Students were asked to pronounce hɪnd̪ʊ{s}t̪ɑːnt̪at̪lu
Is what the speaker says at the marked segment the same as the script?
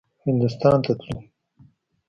yes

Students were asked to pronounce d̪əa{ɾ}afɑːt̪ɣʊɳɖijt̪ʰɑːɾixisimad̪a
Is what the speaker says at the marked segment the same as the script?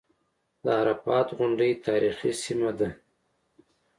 yes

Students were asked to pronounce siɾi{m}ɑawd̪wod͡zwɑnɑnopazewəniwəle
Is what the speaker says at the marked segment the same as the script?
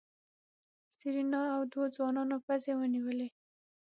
no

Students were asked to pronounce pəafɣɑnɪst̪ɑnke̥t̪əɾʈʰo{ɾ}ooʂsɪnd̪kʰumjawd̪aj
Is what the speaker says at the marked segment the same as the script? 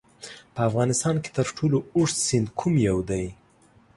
no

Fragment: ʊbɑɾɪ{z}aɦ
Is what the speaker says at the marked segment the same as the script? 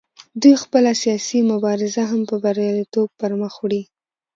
yes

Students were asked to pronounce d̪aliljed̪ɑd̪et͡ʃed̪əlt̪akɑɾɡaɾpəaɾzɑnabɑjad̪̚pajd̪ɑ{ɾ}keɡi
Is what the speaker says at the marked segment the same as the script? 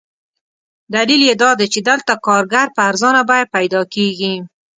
no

